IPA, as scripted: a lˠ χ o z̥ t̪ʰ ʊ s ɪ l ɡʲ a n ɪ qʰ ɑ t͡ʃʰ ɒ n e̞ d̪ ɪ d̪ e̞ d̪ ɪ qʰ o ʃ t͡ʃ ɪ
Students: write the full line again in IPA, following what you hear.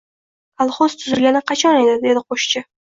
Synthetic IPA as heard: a lˠ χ o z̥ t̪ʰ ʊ z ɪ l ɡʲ a n ɪ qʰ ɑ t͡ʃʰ ɒ n e̞ d̪ ɪ d̪ e̞ d̪ ɪ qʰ o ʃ t͡ʃ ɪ